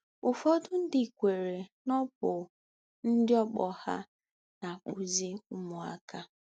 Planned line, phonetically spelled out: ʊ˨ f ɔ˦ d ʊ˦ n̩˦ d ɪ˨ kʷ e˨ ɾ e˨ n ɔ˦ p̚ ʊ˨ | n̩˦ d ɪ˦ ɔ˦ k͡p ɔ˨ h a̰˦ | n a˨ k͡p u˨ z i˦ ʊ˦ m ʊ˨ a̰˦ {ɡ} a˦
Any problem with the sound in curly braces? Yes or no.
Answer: yes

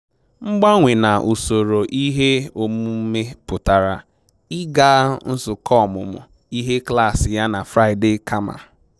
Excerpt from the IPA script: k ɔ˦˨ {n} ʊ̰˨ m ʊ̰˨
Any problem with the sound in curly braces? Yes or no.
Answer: yes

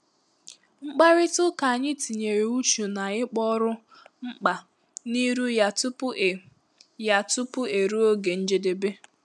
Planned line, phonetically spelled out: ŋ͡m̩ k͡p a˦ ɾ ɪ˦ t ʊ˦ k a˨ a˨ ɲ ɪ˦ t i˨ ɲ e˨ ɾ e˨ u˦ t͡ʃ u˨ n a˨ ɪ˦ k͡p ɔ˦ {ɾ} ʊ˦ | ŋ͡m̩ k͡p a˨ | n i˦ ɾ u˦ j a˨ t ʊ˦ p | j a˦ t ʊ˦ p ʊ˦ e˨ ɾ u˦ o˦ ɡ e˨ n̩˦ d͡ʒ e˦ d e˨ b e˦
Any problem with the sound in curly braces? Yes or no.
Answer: no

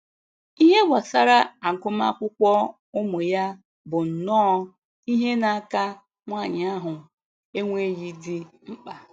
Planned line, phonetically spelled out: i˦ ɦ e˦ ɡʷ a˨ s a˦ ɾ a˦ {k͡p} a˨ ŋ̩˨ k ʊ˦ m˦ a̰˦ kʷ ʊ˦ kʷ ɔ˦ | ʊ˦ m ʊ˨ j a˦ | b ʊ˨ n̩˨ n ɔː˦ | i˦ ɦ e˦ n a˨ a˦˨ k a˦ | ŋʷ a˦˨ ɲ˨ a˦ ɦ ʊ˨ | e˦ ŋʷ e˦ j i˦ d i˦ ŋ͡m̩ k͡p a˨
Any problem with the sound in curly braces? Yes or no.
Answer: yes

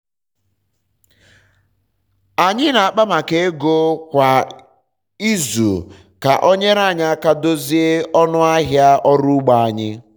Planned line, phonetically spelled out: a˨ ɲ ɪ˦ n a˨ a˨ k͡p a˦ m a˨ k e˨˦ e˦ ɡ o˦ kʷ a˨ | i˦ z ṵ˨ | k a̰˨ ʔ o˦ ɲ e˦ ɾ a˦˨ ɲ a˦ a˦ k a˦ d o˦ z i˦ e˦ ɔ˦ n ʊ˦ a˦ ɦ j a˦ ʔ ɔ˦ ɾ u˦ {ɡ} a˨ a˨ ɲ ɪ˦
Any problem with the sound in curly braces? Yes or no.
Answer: yes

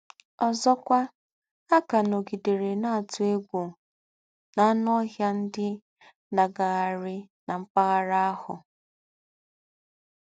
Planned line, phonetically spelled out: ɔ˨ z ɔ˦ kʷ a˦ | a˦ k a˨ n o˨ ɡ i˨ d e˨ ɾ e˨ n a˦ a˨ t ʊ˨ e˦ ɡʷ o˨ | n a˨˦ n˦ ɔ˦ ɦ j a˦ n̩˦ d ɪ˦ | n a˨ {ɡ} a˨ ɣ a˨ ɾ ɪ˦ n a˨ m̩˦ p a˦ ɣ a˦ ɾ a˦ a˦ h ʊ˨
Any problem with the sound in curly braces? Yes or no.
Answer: no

